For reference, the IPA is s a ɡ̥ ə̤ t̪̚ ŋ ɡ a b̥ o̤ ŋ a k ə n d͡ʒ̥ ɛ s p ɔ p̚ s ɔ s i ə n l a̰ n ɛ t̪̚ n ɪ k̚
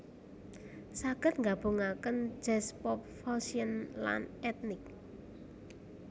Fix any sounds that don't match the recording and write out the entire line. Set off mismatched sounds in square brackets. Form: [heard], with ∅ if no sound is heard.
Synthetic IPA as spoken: s a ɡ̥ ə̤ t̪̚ ŋ ɡ a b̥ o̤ ŋ a k ə n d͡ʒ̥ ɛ s p ɔ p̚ [f] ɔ s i ə n l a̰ n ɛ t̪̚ n ɪ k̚